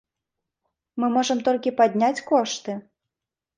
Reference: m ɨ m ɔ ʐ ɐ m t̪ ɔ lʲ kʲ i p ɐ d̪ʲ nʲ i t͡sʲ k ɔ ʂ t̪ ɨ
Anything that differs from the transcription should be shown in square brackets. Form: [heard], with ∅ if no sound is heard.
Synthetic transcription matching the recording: m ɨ m ɔ ʐ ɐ m t̪ ɔ lʲ kʲ i p [a] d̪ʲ nʲ [a] t͡sʲ k ɔ ʂ t̪ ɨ